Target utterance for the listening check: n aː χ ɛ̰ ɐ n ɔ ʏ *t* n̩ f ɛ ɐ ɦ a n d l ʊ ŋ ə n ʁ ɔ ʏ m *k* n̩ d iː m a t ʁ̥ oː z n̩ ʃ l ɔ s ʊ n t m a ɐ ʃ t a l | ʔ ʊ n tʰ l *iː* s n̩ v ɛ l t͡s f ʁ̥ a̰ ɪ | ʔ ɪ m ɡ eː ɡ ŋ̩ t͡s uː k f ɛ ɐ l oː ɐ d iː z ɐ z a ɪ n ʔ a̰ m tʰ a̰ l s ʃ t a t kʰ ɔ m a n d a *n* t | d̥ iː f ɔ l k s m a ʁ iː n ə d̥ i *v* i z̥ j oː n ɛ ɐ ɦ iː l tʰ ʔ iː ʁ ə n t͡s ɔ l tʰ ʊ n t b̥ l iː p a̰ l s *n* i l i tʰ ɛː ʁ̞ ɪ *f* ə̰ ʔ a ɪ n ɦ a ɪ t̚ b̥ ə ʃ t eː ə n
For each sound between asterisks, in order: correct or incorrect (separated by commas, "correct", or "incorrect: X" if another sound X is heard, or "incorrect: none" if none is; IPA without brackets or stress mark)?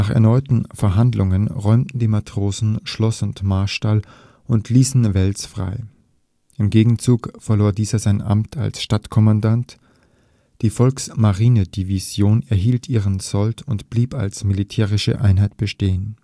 correct, incorrect: t, correct, correct, correct, incorrect: m, incorrect: ʃ